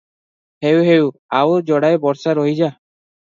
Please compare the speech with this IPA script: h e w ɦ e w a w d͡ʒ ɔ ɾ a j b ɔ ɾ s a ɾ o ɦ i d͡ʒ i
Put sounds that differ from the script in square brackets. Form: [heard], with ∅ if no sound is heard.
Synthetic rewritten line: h e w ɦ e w a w d͡ʒ ɔ [ɽ] a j b ɔ ɾ s a ɾ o ɦ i d͡ʒ [a]